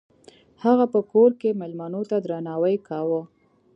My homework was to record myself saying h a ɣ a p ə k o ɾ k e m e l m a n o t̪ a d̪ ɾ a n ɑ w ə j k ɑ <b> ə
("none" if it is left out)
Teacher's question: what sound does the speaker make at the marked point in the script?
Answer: w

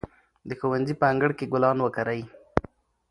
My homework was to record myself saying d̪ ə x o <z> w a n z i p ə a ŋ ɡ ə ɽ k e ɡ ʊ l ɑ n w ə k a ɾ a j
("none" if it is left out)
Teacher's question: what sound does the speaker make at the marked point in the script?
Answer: none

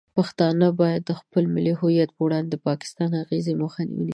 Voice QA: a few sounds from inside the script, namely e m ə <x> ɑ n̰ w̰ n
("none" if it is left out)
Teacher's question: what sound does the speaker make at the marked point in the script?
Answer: x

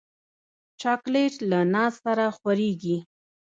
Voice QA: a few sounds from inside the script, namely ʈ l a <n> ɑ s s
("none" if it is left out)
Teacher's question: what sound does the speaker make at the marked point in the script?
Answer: n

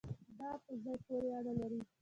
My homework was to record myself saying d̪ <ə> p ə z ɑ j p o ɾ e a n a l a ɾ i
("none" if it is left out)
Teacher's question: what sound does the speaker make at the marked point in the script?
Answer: ɑ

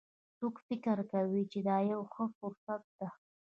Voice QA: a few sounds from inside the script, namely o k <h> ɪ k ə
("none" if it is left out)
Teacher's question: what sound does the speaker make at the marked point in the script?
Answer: f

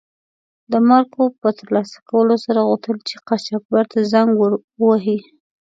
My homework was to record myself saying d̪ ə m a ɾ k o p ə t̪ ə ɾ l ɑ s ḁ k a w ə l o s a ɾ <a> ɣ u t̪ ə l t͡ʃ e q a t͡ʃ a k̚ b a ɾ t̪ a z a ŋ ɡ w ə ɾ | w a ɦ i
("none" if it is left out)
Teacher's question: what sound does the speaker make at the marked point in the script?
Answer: a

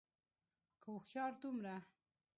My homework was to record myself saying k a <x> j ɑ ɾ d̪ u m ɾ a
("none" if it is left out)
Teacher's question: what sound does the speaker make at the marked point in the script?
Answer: x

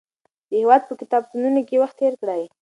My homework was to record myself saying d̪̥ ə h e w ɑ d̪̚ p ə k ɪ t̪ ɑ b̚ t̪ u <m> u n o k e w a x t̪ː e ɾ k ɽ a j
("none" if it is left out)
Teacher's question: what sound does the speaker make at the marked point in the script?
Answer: n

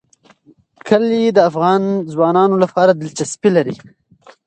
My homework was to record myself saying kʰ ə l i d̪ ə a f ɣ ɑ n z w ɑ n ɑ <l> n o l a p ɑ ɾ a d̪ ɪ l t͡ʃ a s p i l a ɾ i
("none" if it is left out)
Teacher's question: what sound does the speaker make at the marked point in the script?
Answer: none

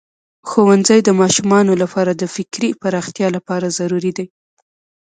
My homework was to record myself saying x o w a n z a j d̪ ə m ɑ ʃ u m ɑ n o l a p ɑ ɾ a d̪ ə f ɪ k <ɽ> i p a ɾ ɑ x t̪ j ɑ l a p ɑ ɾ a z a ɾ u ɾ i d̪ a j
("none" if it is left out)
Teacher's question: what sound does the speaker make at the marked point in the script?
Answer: ɾ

